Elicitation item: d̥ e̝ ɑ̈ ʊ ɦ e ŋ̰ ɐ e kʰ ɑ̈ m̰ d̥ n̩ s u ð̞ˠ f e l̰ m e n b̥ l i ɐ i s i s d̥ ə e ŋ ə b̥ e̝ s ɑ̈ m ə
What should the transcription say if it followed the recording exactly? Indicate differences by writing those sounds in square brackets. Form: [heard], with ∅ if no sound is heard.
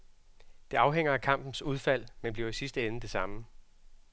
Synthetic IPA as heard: d̥ e̝ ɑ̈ ʊ ɦ e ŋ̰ ɐ [æ] kʰ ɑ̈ m̰ [b̥] n̩ s u ð̞ˠ f [æ] l̰ m e n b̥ l i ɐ i s i s d̥ ə e [n] ə [d̥] e̝ s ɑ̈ m ə